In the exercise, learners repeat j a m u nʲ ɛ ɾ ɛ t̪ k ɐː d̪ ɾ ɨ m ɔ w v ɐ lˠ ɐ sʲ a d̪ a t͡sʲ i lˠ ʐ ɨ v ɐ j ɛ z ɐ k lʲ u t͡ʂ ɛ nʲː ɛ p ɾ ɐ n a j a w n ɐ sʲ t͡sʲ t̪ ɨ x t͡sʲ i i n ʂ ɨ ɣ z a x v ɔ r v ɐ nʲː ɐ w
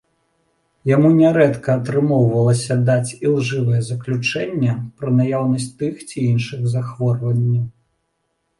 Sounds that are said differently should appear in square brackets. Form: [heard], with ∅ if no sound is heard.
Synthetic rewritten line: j a m u nʲ ɛ ɾ ɛ t̪ k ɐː [t̪] ɾ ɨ m ɔ w v ɐ lˠ ɐ sʲ [ɐ] d̪ a t͡sʲ i lˠ ʐ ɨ v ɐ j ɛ z ɐ k lʲ u t͡ʂ ɛ nʲː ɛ p ɾ ɐ n a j a w n ɐ sʲ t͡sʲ t̪ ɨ x t͡sʲ i i n ʂ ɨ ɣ z a x v ɔ r v ɐ nʲː ɐ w